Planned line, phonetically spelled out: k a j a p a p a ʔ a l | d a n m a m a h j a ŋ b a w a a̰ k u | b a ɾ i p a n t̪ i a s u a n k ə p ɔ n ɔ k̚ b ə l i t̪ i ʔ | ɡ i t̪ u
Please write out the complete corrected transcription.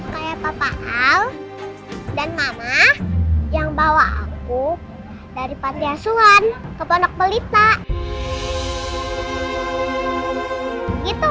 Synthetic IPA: k a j a p a p a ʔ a l | d a n m a m a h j a ŋ b a w a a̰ k u | d a ɾ i p a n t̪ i a s u a n k ə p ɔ n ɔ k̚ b ə l i t̪ a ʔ | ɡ i t̪ u